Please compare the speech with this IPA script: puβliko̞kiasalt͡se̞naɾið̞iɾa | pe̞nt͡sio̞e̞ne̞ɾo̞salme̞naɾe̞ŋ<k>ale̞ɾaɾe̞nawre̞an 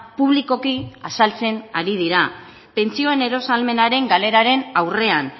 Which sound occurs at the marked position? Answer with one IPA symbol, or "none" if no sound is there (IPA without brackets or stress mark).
ɡ